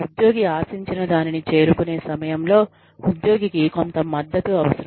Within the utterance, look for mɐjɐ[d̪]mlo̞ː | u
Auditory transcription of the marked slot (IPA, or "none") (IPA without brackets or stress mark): none